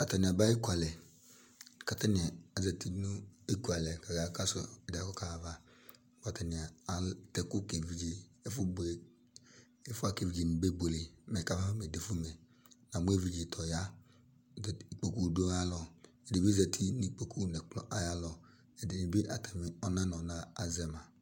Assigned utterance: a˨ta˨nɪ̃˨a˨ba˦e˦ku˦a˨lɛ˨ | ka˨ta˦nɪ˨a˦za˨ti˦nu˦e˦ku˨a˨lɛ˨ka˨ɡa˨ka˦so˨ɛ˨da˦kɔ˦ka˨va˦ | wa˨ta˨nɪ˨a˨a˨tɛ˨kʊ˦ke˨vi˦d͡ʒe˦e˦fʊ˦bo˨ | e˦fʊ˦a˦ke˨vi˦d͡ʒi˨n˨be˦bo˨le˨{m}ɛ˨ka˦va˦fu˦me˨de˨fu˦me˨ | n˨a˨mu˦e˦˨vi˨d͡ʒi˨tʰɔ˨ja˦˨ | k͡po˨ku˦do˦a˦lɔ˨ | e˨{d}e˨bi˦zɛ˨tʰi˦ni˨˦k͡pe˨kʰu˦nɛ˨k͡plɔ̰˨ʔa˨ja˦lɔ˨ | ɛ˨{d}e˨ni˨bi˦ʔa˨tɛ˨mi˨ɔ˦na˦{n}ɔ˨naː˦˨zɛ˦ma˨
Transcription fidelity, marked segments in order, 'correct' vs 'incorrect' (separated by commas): correct, correct, correct, correct